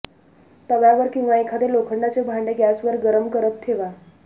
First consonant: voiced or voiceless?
voiceless